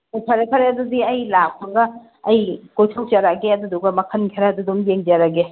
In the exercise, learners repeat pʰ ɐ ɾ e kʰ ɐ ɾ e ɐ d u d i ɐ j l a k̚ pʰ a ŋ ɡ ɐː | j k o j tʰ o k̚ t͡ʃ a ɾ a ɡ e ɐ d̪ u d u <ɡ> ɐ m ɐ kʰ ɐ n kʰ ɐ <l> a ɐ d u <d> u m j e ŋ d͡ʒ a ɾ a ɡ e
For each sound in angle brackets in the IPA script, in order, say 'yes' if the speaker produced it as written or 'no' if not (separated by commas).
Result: yes, no, yes